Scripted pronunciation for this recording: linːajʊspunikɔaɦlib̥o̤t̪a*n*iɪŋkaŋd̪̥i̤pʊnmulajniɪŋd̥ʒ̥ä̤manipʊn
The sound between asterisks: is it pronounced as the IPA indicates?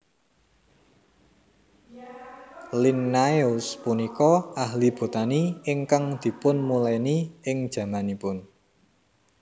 yes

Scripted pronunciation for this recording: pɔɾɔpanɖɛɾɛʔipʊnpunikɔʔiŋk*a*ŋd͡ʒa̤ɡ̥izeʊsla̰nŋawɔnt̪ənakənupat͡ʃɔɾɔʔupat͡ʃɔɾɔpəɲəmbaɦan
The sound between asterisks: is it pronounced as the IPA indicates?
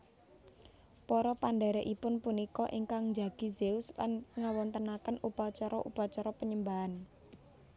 yes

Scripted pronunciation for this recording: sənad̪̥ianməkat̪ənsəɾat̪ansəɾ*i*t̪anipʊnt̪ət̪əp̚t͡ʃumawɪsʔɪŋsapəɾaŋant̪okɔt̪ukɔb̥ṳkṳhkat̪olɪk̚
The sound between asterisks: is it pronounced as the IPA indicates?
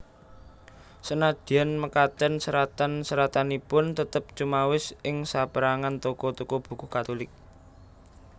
no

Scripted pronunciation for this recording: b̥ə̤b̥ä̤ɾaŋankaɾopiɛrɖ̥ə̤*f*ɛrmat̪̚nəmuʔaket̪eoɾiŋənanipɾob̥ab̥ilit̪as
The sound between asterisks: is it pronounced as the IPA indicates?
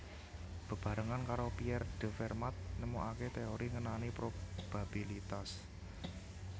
yes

